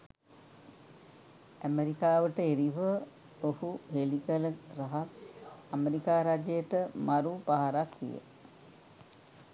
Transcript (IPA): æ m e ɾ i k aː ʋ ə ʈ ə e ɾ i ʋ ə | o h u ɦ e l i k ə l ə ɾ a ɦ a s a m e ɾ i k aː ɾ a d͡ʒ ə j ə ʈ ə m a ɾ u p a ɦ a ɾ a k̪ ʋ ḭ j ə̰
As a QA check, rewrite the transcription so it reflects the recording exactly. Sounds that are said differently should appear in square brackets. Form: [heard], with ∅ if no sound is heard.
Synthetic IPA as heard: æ m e ɾ i k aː ʋ ə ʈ ə e ɾ i ʋ ə | o h u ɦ e l i k ə l ə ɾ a ɦ a s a m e ɾ i k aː ɾ a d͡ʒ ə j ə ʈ ə m a ɾ u p a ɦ a ɾ a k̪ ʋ ḭ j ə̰